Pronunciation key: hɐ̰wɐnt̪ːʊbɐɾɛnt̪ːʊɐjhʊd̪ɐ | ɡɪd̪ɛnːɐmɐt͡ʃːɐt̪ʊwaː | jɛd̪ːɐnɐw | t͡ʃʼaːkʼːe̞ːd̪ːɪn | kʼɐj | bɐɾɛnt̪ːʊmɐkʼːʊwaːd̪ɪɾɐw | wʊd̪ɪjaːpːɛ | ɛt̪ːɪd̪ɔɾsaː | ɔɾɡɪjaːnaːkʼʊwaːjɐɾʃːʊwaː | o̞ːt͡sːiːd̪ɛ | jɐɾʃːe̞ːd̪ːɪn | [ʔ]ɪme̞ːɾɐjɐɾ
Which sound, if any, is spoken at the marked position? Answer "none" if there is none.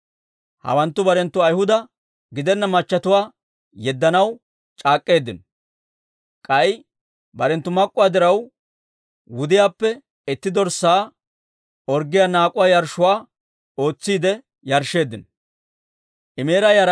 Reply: ʔ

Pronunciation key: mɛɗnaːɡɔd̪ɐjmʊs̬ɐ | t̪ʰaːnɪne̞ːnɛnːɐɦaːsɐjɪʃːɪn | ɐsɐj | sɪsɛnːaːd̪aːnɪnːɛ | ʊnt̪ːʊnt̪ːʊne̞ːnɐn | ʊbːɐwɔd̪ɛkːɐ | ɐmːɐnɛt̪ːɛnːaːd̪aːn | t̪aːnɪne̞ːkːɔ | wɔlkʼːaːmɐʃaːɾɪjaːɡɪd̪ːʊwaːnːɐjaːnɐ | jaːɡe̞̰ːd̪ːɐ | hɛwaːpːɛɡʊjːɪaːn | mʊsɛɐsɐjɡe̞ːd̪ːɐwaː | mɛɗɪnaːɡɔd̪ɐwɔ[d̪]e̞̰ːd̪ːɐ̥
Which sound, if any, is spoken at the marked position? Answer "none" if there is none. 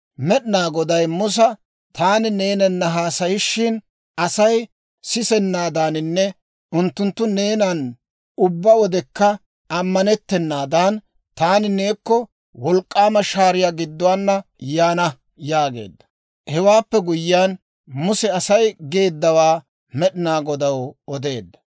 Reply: d̪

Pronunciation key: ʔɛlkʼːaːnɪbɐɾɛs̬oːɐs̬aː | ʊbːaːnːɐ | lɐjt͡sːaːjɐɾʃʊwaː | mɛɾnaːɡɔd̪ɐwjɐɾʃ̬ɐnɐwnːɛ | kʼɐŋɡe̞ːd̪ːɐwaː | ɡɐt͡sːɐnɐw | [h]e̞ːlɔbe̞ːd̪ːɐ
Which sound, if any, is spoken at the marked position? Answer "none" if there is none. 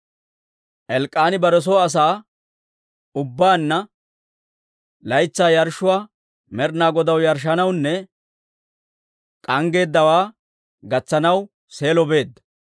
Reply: s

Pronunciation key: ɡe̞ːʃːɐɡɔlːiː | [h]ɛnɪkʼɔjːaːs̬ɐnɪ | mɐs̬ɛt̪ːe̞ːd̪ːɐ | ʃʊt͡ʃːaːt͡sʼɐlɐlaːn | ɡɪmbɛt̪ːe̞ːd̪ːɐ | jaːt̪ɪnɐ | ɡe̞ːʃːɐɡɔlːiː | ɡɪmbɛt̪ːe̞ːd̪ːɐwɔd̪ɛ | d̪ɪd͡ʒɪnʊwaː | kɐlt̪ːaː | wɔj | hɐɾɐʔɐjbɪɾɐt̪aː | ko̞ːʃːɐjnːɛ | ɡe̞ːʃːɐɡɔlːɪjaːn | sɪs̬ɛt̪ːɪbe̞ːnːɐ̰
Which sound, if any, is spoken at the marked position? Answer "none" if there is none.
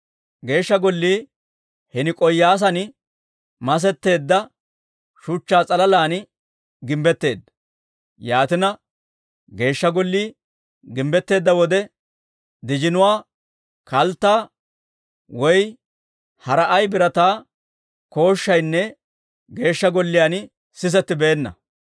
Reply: h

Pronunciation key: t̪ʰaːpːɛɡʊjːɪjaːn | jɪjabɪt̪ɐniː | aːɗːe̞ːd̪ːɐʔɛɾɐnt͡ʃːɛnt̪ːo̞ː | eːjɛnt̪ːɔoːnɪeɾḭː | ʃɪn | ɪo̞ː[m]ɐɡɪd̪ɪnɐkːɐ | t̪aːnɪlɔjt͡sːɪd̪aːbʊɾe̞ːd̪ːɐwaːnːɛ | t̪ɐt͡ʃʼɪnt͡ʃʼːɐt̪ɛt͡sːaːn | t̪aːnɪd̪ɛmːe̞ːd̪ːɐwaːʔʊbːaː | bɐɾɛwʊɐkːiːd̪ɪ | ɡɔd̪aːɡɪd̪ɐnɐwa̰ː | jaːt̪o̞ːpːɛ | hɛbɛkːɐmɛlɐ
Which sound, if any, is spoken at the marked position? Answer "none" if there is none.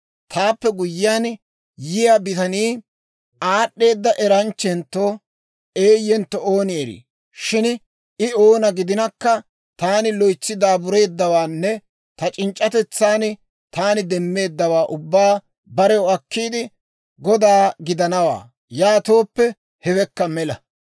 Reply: n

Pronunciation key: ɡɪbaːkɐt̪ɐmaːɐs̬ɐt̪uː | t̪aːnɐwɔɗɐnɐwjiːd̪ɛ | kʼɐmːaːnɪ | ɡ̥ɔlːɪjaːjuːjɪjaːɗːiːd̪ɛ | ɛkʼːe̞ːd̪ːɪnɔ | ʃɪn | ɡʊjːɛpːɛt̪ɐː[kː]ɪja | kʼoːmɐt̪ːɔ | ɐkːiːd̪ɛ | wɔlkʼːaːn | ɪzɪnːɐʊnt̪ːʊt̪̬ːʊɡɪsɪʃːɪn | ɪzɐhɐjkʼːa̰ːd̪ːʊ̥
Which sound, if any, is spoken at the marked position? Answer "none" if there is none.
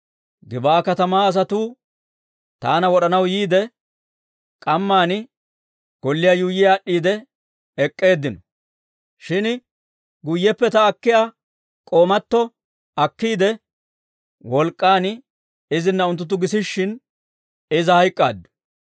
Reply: kː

